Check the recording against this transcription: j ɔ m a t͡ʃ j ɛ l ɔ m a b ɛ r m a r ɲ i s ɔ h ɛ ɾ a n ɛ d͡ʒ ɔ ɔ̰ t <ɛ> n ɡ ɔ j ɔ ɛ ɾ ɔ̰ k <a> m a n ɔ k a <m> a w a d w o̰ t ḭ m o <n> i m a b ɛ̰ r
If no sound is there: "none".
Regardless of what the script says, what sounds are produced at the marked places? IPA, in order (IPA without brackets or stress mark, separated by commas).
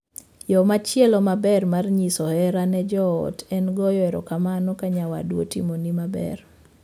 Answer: ɛ, a, ɲ, n